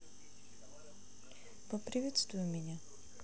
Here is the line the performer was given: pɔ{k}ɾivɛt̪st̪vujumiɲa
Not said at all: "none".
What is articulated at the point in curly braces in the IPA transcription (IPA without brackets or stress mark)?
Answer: p